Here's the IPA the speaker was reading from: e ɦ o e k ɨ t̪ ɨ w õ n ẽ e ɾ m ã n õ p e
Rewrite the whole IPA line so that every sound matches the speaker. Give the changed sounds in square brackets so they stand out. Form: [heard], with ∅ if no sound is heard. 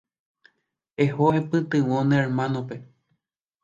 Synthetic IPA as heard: e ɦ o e [p] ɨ t̪ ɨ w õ n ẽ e ɾ m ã n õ p e